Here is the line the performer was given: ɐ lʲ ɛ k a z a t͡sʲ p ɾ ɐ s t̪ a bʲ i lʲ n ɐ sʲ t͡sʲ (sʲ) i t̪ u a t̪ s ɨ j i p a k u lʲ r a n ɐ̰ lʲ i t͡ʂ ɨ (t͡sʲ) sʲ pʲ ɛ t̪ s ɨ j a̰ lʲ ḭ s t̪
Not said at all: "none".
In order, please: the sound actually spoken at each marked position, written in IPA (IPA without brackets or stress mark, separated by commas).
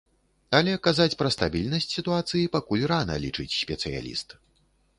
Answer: sʲ, t͡sʲ